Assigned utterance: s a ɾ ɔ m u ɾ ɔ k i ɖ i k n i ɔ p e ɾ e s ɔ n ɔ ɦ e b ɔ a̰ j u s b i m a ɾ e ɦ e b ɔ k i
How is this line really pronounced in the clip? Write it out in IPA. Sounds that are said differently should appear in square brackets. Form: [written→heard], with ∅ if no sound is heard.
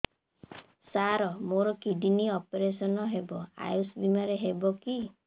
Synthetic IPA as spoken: s a ɾ ɔ m [u→o] ɾ ɔ k i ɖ i [k→∅] n i ɔ p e ɾ e s ɔ n ɔ ɦ e b ɔ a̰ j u s b i m a ɾ e ɦ e b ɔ k i